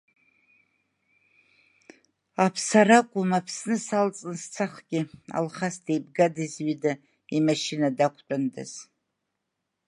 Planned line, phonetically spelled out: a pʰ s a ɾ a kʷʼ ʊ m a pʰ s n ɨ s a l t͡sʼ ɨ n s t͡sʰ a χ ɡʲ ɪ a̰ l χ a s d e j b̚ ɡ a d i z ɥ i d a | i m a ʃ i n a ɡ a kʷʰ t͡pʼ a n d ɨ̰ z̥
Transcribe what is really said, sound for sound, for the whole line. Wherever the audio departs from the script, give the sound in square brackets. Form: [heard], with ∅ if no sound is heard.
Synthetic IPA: a pʰ s a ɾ a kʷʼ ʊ m a pʰ s n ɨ s a l t͡sʼ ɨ n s t͡sʰ a χ ɡʲ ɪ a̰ l χ a s d e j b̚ ɡ a d i z ɥ i d a | i m a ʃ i n a [d] a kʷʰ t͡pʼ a n d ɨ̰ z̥